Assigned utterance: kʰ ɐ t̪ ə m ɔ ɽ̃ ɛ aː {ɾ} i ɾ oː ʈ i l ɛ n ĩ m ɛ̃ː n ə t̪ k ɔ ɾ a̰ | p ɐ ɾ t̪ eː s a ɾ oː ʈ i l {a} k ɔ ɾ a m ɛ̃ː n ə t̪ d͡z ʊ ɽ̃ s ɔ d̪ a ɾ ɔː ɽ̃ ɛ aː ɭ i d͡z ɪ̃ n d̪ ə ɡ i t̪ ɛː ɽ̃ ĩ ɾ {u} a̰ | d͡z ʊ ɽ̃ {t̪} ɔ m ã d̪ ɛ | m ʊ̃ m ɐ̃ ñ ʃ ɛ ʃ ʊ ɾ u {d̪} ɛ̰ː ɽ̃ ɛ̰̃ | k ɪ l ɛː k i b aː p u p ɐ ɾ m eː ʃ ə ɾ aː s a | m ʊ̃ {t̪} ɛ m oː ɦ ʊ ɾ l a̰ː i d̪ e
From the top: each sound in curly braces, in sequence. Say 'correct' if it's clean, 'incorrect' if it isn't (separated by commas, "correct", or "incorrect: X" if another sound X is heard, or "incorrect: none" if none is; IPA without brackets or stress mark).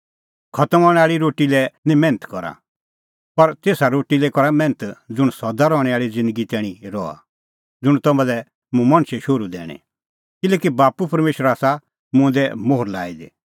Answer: incorrect: ɭ, incorrect: ɛ, incorrect: ɔ, correct, correct, incorrect: d̪